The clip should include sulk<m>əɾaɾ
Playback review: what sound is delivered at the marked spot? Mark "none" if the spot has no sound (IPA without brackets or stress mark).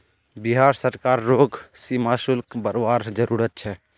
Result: b